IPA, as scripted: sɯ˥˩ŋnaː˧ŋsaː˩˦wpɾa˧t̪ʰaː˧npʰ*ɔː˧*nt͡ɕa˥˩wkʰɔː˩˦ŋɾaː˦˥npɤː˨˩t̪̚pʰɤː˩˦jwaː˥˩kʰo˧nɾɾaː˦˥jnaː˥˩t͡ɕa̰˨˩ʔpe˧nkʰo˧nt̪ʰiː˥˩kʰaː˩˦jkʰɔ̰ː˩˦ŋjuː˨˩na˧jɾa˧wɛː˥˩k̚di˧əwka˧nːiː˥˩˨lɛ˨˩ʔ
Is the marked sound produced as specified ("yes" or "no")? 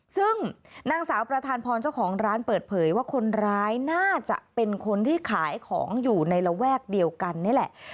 yes